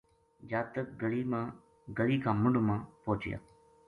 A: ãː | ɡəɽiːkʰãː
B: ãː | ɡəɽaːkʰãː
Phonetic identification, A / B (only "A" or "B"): A